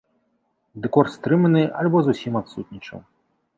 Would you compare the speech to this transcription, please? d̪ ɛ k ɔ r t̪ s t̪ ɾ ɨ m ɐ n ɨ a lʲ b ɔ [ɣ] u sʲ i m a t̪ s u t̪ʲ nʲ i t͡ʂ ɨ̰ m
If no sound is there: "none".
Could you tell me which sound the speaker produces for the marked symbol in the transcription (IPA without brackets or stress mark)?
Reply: z